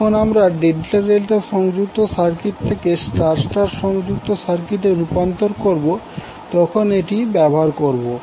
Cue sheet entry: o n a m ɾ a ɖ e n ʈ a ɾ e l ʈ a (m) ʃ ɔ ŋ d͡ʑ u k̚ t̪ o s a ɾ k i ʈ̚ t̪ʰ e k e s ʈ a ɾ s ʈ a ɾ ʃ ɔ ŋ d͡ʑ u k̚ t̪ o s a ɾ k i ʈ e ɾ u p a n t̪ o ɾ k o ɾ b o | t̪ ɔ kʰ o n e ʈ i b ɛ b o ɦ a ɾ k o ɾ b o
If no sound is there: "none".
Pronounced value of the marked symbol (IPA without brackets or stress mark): none